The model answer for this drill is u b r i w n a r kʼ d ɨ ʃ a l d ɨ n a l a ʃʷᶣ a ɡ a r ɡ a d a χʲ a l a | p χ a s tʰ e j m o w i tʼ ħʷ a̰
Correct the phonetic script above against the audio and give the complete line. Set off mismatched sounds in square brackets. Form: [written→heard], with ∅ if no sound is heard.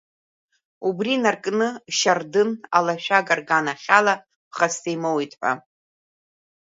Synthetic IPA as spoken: u b r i [w→∅] n a r kʼ [d→n] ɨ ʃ a [l→r] d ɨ n a l a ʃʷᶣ a ɡ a r ɡ a [d→n] a χʲ a l a | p χ a s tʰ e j m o w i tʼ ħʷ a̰